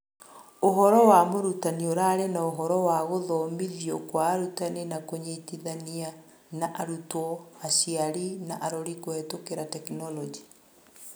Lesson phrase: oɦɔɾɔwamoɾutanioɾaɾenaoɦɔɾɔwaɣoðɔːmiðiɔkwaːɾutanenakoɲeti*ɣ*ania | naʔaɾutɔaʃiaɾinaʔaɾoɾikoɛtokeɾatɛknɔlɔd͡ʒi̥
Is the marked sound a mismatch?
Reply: yes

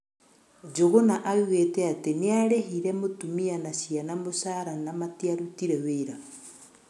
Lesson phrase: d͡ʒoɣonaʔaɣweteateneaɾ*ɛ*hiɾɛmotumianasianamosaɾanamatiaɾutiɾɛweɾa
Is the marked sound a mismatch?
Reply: yes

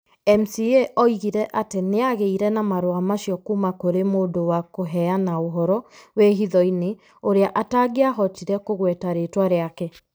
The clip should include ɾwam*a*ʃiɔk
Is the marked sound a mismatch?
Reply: no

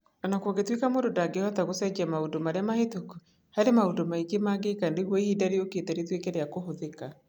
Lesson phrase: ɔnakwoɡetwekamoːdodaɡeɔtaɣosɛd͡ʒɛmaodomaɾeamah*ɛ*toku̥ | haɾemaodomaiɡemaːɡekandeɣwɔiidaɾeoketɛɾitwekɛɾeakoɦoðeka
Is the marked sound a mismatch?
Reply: yes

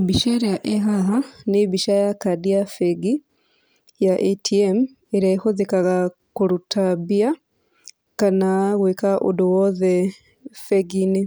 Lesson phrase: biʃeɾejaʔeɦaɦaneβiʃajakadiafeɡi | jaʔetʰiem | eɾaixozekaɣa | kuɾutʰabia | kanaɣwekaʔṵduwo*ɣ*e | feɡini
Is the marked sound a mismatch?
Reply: yes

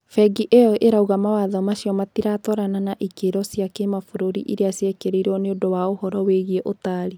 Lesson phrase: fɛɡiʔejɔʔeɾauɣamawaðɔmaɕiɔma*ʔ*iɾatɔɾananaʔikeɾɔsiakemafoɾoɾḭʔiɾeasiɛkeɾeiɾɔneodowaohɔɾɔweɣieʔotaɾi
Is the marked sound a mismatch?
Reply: yes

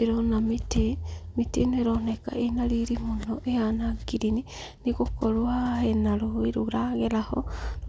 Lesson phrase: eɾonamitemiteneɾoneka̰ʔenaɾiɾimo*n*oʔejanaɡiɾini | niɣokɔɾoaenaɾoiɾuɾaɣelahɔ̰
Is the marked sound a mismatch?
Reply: no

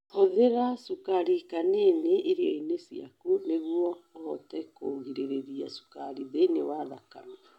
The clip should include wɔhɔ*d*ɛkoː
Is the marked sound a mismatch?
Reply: yes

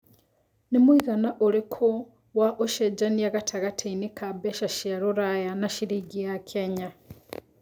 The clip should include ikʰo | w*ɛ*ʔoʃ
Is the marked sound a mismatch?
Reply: yes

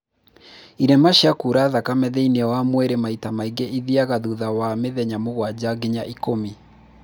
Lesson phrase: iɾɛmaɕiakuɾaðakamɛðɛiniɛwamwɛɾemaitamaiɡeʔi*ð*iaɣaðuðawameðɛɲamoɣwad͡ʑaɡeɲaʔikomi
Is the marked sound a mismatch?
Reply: no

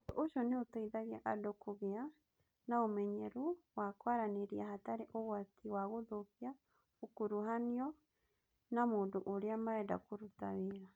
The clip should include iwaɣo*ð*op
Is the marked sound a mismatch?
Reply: no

